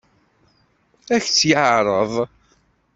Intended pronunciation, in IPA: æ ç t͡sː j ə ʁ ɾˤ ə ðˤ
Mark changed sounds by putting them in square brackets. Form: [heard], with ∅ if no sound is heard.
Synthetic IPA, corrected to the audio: æ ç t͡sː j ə [ʕ] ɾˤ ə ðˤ